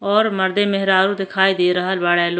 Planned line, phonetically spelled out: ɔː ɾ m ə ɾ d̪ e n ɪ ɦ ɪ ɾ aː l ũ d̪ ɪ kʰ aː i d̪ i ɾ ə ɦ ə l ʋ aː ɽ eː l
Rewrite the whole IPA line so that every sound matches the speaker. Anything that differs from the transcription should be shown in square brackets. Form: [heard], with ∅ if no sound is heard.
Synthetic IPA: ɔː ɾ m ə ɾ d̪ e [m] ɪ ɦ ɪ ɾ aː [ɾ] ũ d̪ ɪ kʰ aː i d̪ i ɾ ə ɦ ə l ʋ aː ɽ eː l